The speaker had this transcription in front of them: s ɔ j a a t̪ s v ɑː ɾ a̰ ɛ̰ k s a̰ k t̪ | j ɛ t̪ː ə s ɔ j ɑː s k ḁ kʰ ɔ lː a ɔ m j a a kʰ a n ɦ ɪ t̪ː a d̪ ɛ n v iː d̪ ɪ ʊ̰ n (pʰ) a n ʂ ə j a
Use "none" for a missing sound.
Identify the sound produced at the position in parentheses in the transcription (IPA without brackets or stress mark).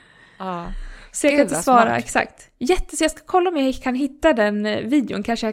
kʰ